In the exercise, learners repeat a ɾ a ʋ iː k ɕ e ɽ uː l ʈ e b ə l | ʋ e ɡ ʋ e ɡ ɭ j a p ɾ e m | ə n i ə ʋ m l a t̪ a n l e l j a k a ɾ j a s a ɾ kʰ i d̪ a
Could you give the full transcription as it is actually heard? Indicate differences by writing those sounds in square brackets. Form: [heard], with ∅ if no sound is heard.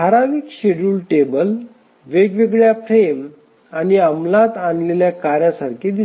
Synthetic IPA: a ɾ a ʋ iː k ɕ e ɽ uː l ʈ e b ə l | ʋ e ɡ ʋ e ɡ ɭ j a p ɾ e m | [a] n i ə [∅] m l a t̪ a n l e l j a k a ɾ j a s a ɾ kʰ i d̪ [i]